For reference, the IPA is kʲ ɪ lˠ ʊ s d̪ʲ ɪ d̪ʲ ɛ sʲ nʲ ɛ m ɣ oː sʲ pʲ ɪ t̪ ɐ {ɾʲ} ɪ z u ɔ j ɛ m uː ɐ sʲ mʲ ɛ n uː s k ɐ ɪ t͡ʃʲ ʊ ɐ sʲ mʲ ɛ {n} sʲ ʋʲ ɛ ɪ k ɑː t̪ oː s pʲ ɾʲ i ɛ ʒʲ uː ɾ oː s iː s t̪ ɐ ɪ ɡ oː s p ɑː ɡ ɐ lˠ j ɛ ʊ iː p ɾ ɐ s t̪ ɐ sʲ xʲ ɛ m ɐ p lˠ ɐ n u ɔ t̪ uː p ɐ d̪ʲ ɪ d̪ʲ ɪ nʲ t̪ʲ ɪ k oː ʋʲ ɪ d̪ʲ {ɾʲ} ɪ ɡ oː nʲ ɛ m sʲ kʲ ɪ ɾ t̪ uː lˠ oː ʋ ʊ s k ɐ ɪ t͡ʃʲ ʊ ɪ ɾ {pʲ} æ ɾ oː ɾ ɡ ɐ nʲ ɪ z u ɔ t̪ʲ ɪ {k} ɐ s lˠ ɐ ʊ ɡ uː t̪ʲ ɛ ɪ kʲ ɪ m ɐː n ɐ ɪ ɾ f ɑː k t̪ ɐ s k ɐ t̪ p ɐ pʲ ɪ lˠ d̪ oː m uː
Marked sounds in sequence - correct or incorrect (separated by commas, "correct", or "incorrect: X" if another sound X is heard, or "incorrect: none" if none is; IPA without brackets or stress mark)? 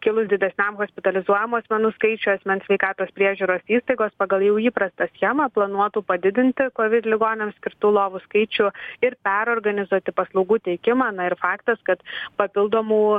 incorrect: lʲ, correct, incorrect: lʲ, correct, incorrect: p